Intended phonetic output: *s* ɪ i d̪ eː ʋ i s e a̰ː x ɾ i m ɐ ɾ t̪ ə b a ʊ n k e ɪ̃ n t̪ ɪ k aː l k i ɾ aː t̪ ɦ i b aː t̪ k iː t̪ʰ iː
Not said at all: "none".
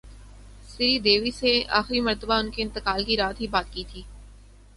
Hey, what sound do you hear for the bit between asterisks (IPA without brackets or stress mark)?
s